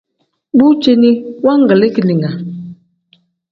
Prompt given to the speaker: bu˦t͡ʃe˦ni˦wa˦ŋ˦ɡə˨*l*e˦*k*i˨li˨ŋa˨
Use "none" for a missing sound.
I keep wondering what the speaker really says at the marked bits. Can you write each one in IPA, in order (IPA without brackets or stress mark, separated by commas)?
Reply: l, k